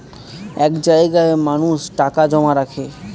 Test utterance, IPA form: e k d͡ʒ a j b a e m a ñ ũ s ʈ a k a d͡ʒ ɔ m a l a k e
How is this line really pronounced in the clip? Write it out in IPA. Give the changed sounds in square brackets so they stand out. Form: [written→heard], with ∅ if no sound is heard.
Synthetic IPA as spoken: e k d͡ʒ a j [b→ɡ] a e m a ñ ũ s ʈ a k a d͡ʒ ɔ m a [l→ɾ] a [k→kʰ] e